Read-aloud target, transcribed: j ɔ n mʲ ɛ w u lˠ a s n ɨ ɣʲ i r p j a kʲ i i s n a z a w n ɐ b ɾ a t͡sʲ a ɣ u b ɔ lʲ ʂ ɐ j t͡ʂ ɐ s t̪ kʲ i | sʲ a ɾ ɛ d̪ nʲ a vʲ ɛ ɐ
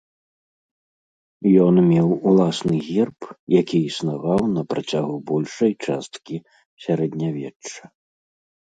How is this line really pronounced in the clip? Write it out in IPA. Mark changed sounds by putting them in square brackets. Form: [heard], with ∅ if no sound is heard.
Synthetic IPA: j ɔ n mʲ ɛ w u lˠ a s n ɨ ɣʲ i r p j a kʲ i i s n a [v] a w n ɐ [p] ɾ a t͡sʲ a ɣ u b ɔ lʲ ʂ ɐ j t͡ʂ [a] s t̪ kʲ i | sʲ a ɾ ɛ d̪ nʲ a vʲ ɛ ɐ